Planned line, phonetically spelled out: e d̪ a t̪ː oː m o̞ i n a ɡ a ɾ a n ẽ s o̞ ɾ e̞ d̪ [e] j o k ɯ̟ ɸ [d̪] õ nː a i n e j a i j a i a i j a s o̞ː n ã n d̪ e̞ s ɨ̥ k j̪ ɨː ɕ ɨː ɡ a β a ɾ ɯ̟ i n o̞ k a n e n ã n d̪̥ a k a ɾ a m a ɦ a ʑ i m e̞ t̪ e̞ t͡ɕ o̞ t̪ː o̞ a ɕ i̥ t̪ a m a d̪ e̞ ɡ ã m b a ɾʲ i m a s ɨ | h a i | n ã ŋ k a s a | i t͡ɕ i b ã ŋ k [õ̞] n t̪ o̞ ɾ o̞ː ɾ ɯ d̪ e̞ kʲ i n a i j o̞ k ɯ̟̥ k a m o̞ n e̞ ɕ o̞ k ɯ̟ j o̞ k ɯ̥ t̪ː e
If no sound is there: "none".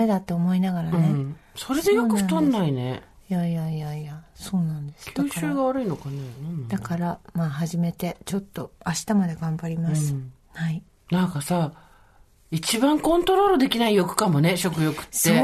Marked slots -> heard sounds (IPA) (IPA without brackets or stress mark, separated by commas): e, t̪, õ̞